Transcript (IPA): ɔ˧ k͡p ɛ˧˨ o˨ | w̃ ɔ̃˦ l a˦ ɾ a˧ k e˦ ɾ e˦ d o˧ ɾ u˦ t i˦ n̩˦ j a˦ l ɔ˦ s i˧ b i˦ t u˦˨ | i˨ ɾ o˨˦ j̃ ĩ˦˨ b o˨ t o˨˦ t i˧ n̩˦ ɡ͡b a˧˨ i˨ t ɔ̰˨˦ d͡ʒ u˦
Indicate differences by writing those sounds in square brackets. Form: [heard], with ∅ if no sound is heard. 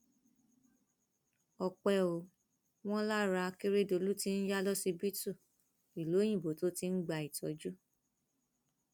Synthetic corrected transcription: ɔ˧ k͡p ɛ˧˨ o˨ | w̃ ɔ̃˦ l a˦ ɾ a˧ k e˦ ɾ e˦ d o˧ [l] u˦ t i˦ n̩˦ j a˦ l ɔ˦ s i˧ b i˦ t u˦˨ | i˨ [l] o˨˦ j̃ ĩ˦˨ b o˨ t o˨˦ t i˧ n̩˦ ɡ͡b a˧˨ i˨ t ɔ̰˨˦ d͡ʒ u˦

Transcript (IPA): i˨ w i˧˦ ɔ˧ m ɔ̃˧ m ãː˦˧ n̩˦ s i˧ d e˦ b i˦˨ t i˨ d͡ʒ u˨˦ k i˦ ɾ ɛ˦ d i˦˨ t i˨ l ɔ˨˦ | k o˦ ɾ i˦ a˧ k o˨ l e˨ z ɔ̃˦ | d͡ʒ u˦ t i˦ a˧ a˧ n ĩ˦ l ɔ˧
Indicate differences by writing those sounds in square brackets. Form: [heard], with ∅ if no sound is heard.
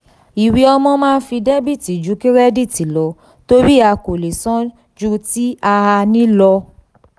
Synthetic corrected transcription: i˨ w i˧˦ ɔ˧ m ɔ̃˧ m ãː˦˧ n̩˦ [f] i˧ d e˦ b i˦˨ t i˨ d͡ʒ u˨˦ k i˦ ɾ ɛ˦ d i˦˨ t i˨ l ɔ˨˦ | [t] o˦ ɾ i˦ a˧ k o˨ l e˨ [s] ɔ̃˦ | d͡ʒ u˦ t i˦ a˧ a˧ n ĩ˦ l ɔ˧

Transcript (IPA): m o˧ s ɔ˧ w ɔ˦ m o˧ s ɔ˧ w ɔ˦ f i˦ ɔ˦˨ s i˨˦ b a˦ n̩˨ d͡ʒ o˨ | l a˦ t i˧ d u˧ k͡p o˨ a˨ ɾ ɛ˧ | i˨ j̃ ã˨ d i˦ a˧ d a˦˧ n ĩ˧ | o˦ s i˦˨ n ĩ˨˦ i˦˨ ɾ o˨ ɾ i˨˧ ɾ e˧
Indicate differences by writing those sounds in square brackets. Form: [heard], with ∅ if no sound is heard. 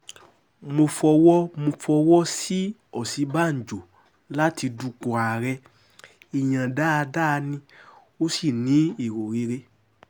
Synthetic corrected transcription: m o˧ [f] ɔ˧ w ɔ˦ m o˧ [f] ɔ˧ w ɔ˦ [s] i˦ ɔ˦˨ s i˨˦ b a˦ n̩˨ d͡ʒ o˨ | l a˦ t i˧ d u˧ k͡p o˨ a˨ ɾ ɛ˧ | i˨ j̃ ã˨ d [a˦] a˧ d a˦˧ n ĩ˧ | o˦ s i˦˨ n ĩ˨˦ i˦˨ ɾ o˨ ɾ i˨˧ ɾ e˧

